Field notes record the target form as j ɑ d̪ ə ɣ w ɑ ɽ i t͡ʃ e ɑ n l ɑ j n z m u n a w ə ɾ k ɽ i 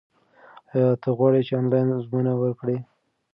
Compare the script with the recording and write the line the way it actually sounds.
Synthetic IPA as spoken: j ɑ t̪ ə ɣ w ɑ ɽ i t͡ʃ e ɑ n l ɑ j n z m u n a w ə ɾ k ɽ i